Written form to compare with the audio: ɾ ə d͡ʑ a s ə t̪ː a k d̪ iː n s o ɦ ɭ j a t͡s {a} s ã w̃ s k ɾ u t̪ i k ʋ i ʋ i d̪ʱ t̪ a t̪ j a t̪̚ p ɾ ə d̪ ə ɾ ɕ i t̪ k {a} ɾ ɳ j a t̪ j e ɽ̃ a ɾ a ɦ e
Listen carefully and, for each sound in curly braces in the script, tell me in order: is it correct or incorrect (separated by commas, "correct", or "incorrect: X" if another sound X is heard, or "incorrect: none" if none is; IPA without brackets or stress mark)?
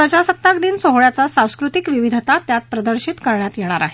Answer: correct, incorrect: ə